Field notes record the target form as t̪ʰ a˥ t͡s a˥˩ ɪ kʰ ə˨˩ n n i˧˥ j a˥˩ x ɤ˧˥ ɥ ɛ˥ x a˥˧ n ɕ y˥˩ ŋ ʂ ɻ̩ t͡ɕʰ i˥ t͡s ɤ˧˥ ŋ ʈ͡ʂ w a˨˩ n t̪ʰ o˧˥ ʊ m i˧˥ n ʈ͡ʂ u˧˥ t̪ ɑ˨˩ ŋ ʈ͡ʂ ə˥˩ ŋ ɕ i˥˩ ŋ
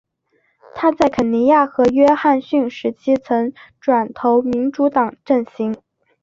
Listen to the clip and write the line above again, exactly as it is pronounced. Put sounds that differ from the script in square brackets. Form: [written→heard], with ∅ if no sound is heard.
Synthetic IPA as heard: t̪ʰ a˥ t͡s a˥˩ ɪ kʰ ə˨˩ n n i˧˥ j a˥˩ x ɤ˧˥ ɥ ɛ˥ x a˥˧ n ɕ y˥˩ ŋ ʂ ɻ̩ t͡ɕʰ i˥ [t͡s→t͡sʰ] ɤ˧˥ ŋ ʈ͡ʂ w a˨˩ n t̪ʰ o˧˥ ʊ m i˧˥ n ʈ͡ʂ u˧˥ t̪ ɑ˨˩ ŋ ʈ͡ʂ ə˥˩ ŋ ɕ [i˥˩→i˧˥] ŋ